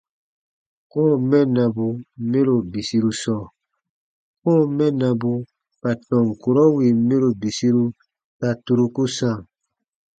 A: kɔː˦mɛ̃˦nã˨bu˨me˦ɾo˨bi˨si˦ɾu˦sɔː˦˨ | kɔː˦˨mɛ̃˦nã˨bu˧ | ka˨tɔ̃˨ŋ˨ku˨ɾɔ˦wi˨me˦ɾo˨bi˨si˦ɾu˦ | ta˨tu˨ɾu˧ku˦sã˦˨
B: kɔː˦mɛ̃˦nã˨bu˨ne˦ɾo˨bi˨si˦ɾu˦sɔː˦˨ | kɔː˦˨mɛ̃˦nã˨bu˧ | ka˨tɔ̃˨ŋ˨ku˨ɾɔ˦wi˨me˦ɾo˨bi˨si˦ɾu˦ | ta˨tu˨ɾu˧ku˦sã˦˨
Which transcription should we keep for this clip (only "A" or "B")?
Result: A